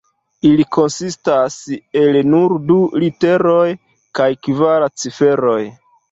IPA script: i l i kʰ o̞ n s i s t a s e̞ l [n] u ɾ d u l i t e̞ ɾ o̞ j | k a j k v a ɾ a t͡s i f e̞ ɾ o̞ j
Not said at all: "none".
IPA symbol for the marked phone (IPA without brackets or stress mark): n